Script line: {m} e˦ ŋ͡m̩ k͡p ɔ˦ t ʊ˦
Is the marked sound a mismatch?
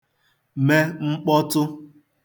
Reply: no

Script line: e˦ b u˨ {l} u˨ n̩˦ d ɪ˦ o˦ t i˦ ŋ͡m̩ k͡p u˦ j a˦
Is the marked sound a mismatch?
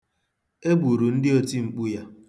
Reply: yes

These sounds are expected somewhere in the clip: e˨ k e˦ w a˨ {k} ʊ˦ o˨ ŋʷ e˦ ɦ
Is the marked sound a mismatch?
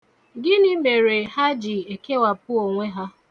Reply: yes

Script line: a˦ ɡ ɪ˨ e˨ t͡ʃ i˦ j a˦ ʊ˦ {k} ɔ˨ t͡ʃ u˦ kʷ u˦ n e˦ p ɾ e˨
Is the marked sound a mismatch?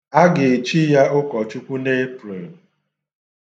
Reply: no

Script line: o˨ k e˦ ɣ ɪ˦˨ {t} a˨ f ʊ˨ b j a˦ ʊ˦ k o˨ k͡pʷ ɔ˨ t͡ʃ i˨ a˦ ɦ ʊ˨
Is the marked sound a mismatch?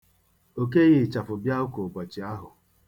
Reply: yes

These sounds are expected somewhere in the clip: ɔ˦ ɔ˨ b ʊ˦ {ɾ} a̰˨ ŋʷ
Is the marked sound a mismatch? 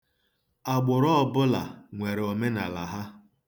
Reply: yes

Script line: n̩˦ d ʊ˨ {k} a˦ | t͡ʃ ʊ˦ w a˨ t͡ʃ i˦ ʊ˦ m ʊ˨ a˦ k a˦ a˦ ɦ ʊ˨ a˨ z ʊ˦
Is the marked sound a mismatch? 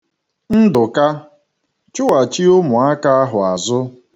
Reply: no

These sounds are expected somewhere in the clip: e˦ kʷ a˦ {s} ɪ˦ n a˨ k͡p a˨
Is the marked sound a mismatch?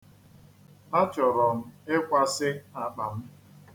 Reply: no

